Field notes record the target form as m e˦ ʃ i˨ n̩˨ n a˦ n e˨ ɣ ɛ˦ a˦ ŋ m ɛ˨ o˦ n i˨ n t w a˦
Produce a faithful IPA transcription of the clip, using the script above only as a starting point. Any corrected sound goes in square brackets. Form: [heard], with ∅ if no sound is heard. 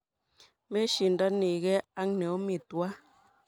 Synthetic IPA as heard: m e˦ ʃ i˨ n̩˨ [d] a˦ n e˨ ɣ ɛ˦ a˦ ŋ [n] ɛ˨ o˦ [m] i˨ [∅] t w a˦